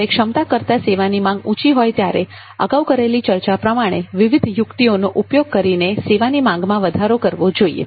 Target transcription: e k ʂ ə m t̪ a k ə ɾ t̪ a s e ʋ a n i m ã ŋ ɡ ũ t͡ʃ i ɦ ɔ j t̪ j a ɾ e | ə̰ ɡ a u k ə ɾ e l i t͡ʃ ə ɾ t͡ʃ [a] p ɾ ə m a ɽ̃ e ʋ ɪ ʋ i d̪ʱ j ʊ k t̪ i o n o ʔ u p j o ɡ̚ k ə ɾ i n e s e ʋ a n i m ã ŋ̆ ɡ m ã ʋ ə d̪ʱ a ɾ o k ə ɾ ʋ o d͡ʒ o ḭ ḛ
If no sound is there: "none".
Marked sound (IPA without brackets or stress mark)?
a